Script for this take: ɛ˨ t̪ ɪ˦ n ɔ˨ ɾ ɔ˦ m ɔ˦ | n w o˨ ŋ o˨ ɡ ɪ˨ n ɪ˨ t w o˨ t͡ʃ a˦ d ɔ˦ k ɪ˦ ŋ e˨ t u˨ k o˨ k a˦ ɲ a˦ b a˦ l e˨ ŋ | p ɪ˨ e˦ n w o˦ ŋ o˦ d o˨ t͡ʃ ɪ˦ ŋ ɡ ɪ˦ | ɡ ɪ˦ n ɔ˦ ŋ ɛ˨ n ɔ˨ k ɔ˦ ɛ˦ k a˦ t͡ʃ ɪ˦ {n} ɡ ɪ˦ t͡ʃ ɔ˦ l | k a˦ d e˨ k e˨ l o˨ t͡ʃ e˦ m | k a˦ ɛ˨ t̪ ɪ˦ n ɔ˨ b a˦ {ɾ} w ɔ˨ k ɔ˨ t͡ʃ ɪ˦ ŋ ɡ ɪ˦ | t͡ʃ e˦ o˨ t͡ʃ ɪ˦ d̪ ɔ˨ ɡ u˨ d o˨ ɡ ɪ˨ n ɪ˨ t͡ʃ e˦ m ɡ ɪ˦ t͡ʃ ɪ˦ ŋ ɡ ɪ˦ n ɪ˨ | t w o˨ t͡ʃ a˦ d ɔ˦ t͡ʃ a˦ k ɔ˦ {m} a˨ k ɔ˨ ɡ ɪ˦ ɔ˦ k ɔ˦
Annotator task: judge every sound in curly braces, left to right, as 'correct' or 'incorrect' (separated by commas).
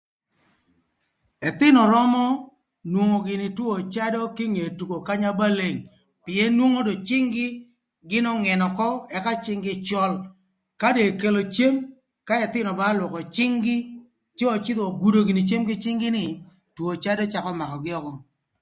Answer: incorrect, incorrect, correct